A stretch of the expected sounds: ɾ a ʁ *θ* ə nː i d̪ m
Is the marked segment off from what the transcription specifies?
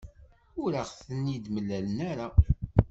no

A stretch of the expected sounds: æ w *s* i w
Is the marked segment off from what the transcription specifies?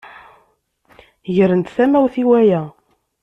yes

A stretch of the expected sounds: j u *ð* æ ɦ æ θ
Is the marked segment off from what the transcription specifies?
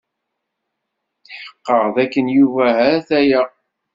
yes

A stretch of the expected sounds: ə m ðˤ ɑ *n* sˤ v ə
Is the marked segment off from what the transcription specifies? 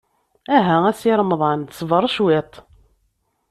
no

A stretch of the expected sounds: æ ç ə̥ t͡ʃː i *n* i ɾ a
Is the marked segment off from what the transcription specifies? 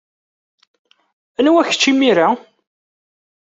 yes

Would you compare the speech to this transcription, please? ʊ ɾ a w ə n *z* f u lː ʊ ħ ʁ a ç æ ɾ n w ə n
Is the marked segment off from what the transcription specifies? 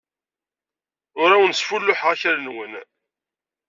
yes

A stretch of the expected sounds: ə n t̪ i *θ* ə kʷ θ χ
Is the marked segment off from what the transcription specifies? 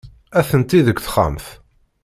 yes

